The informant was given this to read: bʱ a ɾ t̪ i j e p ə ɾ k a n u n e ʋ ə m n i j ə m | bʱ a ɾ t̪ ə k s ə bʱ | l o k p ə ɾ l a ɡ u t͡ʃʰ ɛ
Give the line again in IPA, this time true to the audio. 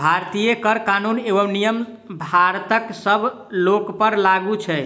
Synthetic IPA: bʱ a ɾ t̪ i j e k ə ɾ k a n u n e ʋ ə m n i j ə m | bʱ a ɾ t̪ ə k s ə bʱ | l o k p ə ɾ l a ɡ u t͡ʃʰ ɛ